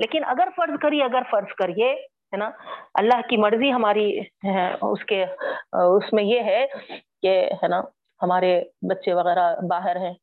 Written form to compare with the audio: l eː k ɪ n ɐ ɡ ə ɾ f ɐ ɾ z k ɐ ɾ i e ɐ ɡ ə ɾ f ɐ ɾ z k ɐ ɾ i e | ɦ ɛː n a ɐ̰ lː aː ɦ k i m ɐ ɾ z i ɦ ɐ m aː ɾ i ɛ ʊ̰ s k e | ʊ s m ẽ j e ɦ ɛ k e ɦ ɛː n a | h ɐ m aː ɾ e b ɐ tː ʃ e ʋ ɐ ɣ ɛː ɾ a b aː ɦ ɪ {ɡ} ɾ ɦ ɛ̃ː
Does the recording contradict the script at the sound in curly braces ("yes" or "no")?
yes